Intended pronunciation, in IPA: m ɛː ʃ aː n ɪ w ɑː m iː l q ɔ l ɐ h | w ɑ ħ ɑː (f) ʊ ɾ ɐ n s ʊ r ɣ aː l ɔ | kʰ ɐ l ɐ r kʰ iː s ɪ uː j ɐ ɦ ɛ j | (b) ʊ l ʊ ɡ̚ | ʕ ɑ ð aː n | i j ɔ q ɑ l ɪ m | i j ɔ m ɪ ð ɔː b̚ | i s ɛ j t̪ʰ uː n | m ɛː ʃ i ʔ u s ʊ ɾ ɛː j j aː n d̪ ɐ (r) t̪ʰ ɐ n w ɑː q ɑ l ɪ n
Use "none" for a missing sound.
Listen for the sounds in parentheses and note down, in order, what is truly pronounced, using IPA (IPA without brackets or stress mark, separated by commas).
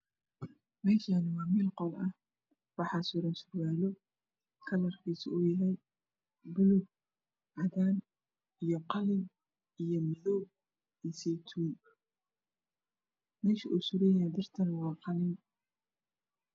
s, b, r